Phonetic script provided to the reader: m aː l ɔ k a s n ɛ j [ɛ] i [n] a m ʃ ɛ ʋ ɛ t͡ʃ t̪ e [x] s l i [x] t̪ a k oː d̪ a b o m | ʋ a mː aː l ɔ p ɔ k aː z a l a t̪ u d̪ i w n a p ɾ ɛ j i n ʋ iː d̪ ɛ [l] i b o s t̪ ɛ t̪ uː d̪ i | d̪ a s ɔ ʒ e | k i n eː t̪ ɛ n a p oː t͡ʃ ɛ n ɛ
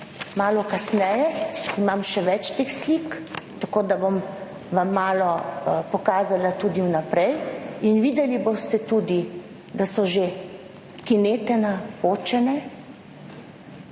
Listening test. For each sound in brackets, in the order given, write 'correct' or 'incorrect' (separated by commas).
correct, incorrect, correct, incorrect, correct